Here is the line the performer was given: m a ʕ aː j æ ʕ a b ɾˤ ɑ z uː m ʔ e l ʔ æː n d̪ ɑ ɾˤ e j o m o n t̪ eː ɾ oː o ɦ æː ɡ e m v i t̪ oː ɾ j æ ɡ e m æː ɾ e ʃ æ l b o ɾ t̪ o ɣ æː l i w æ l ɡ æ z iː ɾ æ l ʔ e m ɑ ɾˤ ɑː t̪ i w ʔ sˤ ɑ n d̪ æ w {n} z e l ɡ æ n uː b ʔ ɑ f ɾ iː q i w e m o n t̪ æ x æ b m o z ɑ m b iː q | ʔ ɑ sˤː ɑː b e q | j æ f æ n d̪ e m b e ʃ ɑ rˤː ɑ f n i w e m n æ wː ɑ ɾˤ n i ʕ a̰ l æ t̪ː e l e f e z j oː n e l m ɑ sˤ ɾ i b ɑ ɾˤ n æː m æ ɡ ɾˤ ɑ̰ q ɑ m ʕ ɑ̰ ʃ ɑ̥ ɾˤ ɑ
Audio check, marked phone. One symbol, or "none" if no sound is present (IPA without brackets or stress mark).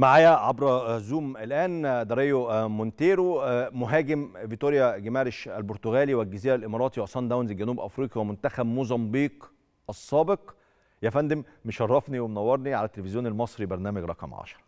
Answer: n